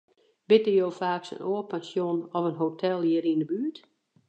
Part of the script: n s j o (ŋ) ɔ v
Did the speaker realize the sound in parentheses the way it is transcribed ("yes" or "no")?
no